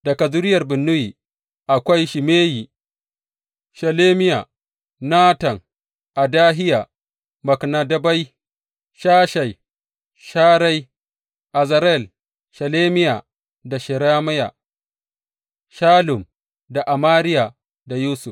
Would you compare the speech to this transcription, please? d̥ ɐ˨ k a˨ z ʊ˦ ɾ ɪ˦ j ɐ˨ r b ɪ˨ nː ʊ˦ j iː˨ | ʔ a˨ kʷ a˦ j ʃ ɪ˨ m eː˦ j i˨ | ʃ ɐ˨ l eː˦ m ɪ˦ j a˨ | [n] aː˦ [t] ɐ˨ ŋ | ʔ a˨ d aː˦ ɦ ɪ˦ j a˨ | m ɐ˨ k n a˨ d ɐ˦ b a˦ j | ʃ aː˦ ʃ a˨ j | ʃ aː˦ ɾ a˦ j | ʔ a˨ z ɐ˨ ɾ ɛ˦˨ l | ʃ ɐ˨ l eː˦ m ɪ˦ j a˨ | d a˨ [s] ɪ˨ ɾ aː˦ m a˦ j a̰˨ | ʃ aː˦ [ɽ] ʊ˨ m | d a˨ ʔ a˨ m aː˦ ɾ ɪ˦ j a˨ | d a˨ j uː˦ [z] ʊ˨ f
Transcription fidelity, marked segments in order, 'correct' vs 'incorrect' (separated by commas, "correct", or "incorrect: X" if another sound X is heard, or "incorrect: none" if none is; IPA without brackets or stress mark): correct, correct, incorrect: ʃ, incorrect: l, incorrect: s